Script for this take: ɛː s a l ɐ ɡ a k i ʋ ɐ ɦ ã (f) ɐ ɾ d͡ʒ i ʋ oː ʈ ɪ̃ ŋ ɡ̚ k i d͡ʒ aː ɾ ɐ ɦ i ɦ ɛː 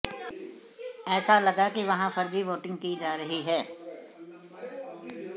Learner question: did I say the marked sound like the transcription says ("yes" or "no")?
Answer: yes